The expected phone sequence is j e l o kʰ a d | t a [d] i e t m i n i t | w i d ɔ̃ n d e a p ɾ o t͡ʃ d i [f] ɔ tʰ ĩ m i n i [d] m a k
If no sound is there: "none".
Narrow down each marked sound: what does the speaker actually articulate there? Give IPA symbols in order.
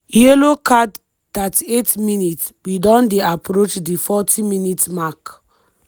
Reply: t, f, t

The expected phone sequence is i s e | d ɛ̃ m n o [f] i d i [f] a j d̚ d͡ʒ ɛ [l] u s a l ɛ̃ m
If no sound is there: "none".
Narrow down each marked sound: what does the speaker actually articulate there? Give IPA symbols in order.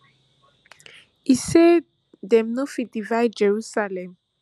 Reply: f, v, ɹ

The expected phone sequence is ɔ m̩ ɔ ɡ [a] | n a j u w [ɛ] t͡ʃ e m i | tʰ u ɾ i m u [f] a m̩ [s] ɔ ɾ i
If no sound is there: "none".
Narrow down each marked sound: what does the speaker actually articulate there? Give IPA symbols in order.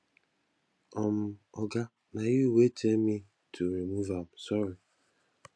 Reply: a, e, v, s

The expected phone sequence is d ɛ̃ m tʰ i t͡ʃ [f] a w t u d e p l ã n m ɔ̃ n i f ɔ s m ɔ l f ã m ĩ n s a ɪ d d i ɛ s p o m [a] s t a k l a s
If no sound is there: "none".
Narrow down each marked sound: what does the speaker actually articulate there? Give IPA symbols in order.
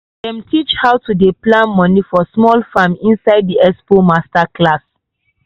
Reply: h, a

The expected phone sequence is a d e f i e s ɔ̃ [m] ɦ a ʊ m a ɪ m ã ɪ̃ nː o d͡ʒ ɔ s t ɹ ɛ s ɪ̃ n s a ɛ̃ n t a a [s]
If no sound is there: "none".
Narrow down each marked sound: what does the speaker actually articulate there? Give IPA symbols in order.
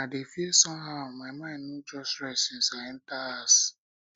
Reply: m, s

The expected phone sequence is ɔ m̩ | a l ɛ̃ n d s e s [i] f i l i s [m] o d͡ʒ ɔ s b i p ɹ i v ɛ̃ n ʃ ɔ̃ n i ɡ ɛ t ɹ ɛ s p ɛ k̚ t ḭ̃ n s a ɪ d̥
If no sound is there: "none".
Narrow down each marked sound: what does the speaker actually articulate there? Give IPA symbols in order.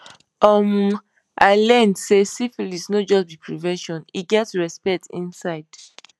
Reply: i, n

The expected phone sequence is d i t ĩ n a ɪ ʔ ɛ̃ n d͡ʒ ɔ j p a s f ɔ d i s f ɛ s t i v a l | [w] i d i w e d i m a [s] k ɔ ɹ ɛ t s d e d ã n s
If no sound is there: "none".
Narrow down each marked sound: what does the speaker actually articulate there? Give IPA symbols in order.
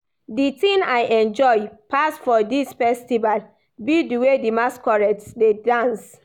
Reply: b, s

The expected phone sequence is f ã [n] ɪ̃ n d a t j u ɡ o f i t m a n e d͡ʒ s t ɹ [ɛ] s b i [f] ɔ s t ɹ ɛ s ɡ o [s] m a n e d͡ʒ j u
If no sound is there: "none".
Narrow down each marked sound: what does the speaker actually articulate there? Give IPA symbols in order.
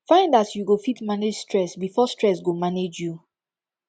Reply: none, ɛ, f, none

